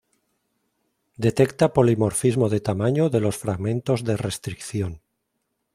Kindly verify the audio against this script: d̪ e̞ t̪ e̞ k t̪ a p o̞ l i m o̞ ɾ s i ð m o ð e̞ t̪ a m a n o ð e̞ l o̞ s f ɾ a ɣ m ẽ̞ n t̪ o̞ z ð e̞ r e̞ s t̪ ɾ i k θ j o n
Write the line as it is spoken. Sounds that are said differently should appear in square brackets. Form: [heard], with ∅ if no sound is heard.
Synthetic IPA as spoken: d̪ e̞ t̪ e̞ k t̪ a p o̞ l i m o̞ ɾ [f] i [z] m o ð e̞ t̪ a m a [ɲ] o ð e̞ l o̞ s f ɾ a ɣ m ẽ̞ n t̪ o̞ z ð e̞ r e̞ s t̪ ɾ i k θ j o n